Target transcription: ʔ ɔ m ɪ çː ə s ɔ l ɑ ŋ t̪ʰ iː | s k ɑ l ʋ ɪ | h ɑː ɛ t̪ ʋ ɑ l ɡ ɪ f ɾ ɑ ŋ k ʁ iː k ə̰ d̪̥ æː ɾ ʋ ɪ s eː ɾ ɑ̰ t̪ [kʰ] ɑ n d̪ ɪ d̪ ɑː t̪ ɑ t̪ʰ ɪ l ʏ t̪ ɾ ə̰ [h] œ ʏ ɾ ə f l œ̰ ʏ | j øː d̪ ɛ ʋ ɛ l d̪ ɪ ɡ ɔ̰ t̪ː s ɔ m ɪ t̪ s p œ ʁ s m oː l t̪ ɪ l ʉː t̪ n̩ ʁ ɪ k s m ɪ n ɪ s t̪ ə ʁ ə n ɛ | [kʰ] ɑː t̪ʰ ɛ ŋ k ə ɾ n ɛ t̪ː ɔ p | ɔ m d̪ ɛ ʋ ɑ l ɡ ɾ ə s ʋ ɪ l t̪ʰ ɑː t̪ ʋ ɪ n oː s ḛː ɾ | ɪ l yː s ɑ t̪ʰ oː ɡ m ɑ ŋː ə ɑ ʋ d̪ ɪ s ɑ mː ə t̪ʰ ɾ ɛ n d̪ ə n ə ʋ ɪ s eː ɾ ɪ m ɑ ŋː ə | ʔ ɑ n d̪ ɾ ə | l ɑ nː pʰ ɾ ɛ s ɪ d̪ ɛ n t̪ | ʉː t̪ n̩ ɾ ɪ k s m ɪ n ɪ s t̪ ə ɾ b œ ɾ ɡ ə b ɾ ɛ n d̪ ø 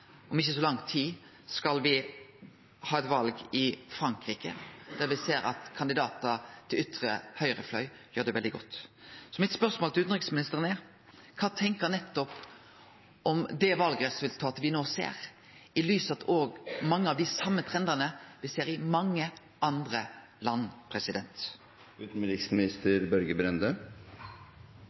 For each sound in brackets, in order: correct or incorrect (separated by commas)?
correct, correct, correct